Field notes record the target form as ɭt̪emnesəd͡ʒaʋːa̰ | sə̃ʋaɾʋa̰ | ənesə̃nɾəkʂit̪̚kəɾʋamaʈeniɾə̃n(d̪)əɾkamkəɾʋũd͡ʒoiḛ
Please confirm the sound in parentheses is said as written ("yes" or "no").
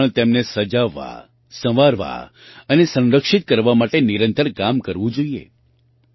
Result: no